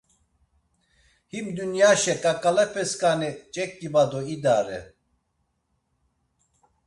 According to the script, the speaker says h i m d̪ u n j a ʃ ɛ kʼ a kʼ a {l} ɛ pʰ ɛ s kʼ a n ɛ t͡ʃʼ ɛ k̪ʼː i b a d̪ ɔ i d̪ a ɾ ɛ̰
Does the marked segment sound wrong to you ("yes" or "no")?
no